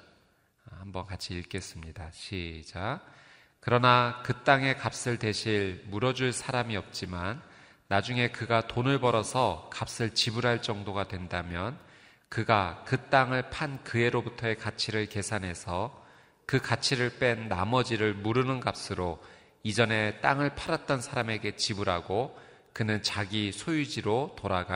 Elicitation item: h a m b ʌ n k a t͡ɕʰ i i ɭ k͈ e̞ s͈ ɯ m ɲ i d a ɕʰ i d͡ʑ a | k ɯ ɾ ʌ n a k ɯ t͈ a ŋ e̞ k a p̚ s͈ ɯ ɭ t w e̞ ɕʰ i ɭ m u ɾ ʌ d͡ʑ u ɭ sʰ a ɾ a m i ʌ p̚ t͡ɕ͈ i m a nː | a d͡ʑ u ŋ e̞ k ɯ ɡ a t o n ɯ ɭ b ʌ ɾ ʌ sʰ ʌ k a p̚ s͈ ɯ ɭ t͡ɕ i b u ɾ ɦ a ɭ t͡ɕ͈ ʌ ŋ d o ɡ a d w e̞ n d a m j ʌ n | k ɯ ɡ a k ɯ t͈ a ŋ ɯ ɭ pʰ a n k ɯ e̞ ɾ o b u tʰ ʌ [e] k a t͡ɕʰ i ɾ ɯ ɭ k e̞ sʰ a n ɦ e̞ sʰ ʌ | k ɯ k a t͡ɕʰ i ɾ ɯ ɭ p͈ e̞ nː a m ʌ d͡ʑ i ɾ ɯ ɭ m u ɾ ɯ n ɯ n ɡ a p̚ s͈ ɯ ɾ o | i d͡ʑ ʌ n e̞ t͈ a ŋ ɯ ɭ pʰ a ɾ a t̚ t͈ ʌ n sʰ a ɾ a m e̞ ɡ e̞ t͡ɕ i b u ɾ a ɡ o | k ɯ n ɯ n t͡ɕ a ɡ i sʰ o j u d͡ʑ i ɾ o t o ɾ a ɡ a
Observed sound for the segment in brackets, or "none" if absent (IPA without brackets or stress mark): e